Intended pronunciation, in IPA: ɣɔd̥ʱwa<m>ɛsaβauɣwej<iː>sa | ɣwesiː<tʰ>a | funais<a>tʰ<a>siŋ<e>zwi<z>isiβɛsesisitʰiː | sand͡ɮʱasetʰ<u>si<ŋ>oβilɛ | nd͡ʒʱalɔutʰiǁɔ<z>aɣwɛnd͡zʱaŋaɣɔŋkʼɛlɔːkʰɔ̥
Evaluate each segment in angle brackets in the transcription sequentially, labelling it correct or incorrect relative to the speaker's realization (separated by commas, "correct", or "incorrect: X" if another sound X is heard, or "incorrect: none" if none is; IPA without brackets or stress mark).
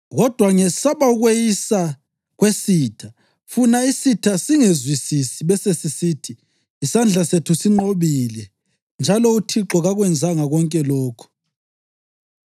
incorrect: ŋ, incorrect: i, correct, incorrect: i, correct, correct, incorrect: s, correct, incorrect: ŋ͡ǃ, incorrect: ɣ